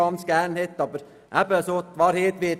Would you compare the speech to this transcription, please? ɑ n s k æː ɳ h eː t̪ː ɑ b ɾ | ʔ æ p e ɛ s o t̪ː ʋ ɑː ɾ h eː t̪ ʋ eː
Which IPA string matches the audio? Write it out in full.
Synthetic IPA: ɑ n s k æː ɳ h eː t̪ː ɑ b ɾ | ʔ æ p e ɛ s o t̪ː ʋ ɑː ɾ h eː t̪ ʋ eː